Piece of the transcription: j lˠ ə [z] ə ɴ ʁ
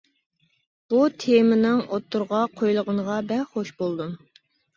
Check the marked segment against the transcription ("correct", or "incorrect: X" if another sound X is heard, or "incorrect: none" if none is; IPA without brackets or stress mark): incorrect: ʁ